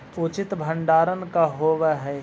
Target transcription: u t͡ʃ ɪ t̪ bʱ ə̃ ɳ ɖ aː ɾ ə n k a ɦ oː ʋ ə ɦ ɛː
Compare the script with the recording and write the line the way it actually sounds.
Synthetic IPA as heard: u t͡ʃ ɪ t̪ bʱ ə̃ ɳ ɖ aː ɾ ə n k a ɦ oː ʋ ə ɦ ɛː